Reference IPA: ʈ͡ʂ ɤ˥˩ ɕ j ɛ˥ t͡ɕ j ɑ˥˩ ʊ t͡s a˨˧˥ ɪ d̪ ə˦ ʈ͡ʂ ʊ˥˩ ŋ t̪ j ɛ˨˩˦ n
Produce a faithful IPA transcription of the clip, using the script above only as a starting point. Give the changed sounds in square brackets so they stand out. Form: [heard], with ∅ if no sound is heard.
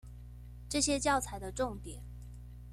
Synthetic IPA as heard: ʈ͡ʂ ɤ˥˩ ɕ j ɛ˥ t͡ɕ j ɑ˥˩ ʊ [t͡sʰ] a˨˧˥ ɪ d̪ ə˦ ʈ͡ʂ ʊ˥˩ ŋ t̪ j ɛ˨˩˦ n